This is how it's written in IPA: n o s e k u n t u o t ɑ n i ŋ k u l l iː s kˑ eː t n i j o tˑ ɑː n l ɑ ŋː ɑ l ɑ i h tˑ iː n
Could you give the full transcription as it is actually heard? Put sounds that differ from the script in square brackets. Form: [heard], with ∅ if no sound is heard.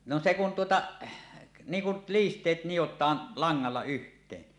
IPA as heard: n o s e k u n t u o t ɑ n [iː] ŋ k u l l iː s [tˑ] eː t n i j o tˑ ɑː n l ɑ ŋː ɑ [lː] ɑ [y] h tˑ [eː] n